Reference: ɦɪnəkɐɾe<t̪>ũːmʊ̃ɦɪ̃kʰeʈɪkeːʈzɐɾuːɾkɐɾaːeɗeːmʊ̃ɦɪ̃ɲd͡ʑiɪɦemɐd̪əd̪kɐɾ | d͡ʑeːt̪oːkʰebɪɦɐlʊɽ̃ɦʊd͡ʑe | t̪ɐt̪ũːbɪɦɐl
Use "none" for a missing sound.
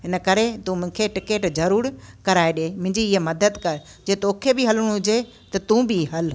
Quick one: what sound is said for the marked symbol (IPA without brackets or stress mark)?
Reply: t̪